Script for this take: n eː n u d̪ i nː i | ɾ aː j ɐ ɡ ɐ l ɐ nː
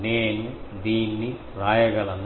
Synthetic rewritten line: n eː n u d̪ iː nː i | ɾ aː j ɐ ɡ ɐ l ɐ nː